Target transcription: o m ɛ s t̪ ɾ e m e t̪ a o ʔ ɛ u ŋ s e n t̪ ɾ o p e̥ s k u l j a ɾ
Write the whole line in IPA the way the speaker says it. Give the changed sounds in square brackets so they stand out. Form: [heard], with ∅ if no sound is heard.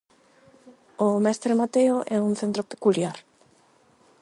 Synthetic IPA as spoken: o m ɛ s t̪ ɾ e m [a] t̪ [e] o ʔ ɛ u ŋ [θ] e n t̪ ɾ o p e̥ [∅] k u l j a ɾ